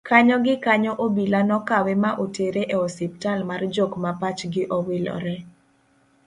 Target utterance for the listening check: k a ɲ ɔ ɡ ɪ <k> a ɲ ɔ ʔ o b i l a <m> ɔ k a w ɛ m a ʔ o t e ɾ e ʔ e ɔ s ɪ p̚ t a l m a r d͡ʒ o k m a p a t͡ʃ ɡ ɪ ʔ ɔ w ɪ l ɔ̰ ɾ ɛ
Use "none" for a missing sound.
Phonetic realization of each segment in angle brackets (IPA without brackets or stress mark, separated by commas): k, n